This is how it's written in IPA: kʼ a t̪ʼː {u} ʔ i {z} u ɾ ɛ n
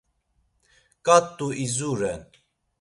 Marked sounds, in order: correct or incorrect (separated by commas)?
correct, correct